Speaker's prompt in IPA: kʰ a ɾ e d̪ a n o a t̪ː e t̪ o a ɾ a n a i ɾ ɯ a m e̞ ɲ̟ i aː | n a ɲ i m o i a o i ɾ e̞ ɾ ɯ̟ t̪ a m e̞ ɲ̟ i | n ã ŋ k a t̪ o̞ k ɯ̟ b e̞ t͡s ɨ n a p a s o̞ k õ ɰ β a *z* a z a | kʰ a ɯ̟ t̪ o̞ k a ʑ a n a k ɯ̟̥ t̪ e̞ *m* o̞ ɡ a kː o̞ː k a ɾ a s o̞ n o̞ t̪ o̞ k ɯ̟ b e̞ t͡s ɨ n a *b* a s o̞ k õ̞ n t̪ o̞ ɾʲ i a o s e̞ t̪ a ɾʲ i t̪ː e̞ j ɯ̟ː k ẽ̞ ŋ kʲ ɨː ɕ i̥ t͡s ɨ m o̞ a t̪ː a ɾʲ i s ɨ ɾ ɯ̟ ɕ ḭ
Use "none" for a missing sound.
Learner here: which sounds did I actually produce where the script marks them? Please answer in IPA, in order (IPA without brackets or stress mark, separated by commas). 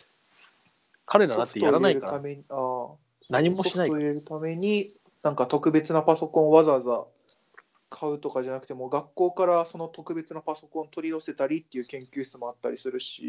z, m, p